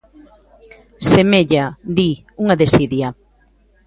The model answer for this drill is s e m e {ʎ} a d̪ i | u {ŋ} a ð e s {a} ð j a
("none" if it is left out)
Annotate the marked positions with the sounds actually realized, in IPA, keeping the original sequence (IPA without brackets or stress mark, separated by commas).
ʎ, ŋ, i